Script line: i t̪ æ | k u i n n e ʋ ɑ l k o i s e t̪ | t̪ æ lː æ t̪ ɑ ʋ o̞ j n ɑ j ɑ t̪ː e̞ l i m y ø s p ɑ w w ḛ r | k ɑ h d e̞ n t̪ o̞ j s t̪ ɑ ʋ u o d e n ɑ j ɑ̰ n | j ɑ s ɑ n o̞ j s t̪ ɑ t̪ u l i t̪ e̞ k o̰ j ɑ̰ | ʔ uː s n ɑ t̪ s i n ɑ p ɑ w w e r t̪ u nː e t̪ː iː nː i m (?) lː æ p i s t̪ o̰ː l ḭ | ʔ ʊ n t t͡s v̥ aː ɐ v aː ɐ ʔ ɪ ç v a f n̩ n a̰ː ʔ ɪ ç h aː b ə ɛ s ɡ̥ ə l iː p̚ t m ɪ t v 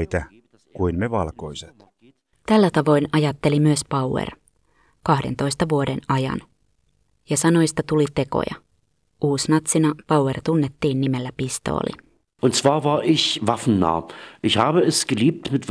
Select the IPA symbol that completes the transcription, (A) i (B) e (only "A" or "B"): B